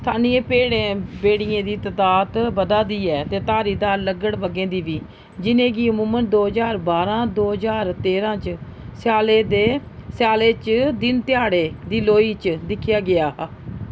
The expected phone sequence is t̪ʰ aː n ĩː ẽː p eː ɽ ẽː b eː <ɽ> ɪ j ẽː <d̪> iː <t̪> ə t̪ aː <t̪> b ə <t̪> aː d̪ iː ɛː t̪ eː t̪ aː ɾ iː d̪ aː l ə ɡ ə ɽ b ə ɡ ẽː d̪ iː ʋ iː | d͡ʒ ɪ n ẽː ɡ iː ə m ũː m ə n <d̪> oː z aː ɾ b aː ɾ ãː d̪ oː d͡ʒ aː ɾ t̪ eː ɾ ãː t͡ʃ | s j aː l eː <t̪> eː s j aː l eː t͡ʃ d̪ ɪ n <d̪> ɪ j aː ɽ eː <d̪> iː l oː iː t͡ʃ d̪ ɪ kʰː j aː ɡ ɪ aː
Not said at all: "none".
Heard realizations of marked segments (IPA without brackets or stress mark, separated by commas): ɽ, d̪, t̪, t̪, d̪, d̪, d̪, t̪, d̪